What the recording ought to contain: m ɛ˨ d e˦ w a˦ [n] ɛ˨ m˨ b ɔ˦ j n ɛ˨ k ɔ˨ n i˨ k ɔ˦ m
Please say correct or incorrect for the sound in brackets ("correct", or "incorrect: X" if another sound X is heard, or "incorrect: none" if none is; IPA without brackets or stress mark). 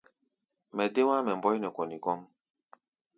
incorrect: m